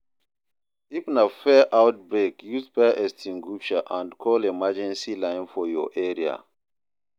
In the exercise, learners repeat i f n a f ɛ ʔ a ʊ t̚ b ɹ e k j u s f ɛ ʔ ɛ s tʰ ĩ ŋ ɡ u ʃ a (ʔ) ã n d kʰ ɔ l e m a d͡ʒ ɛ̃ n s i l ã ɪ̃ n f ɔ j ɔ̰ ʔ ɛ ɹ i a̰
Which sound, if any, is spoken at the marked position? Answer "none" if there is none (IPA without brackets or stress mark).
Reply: ʔ